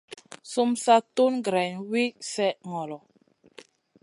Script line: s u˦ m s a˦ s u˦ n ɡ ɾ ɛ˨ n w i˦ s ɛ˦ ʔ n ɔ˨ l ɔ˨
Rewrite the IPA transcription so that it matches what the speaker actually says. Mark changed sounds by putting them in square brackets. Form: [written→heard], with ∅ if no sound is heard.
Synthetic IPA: s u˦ m s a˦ [s→t] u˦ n ɡ ɾ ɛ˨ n w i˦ s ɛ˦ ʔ [n→ŋ] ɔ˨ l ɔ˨